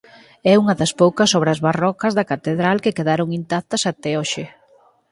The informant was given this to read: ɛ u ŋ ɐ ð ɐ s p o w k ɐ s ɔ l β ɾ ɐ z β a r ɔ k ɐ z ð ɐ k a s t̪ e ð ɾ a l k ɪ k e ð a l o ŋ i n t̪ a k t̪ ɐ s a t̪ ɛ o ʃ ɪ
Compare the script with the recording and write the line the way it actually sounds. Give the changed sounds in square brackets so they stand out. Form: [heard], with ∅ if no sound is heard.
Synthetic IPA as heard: ɛ u ŋ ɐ ð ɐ s p o w k ɐ s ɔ [∅] β ɾ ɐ z β a r ɔ k ɐ z ð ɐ k a [∅] t̪ e ð ɾ a l k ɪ k e ð a [ɾ] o ŋ i n t̪ a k t̪ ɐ s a t̪ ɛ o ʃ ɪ

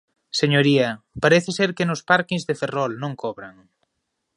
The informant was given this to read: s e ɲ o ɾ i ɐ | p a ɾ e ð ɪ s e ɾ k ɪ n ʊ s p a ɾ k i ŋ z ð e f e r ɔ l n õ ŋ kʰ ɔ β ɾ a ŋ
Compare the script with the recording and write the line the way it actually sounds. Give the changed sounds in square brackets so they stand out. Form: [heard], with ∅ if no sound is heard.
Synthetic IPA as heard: s e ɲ o ɾ i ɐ | p a ɾ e [θ] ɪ s e ɾ k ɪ n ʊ s p a ɾ k i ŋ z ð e f e r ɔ l n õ ŋ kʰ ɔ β ɾ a ŋ

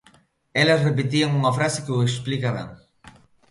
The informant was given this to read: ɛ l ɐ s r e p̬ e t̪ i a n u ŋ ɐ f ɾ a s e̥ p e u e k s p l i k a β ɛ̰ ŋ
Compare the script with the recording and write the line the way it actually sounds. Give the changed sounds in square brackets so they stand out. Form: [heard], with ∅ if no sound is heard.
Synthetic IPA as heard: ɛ l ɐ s r e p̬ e t̪ i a [ŋ] u ŋ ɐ f ɾ a s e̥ [k] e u e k s p l i k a β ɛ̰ ŋ

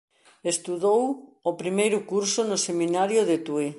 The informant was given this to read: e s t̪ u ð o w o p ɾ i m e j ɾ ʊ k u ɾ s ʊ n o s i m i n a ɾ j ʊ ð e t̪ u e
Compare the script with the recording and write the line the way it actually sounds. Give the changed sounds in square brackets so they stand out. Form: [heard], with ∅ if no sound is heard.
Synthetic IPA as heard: e s t̪ u ð o w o p ɾ i m e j ɾ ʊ k u ɾ s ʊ n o s [e] m i n a ɾ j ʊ ð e t̪ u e

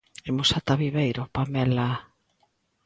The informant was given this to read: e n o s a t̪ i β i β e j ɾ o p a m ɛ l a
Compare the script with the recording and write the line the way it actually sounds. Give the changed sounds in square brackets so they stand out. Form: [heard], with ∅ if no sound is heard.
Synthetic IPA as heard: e [m] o s a t̪ [a] β i β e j ɾ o p a m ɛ l a

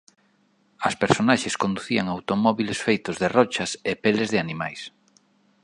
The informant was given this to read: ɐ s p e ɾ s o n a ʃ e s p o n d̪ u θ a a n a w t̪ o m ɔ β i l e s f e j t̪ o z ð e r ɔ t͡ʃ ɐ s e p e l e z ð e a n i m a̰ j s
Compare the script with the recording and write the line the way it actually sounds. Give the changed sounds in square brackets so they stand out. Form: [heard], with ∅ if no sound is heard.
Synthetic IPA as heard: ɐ s p e ɾ s o n a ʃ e s [k] o n d̪ u θ [i] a [ŋ] a w t̪ o m ɔ β i l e s f e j t̪ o z ð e r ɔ t͡ʃ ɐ s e p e l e z ð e a n i m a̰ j s

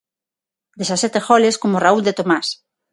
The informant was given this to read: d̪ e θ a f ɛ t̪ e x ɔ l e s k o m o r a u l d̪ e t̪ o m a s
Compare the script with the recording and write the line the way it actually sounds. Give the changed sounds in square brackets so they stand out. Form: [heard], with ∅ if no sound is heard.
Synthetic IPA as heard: d̪ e [s] a [s] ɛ t̪ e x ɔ l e s k o m o r a u l d̪ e t̪ o m a s

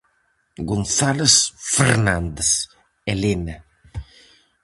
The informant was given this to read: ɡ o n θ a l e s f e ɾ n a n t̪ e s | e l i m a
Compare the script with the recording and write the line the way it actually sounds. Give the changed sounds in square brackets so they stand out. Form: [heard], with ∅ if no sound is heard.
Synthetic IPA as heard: ɡ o n θ a l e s f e ɾ n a n [d̪] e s | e l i [n] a

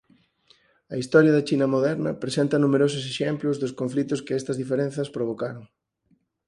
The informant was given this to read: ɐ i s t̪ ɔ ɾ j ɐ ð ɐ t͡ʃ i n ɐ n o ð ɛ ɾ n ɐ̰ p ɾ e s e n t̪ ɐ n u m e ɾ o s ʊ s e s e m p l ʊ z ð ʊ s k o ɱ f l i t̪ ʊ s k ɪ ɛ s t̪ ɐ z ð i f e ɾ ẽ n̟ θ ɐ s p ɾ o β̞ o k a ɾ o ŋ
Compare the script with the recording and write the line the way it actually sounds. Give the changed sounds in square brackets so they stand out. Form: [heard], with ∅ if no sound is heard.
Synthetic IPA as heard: ɐ i s t̪ ɔ ɾ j ɐ ð ɐ t͡ʃ i n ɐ [m] o ð ɛ ɾ n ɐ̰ p ɾ e s e n t̪ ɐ n u m e ɾ o s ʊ s e [ʃ] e m p l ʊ z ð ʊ s k o ɱ f l i t̪ ʊ s k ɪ ɛ s t̪ ɐ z ð i f e ɾ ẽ n̟ θ ɐ s p ɾ o β̞ o k a ɾ o ŋ

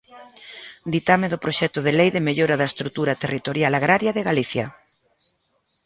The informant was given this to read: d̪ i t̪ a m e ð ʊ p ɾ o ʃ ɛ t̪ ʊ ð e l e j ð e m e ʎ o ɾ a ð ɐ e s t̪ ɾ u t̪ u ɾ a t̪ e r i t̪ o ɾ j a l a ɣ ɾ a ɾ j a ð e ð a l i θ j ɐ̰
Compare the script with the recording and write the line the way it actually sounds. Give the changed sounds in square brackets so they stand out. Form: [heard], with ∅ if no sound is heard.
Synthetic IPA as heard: d̪ i t̪ a m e ð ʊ p ɾ o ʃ ɛ t̪ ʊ ð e l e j ð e m e ʎ o ɾ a ð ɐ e s t̪ ɾ u t̪ u ɾ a t̪ e r i t̪ o ɾ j a l a ɣ ɾ a ɾ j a ð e [ɣ] a l i θ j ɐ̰

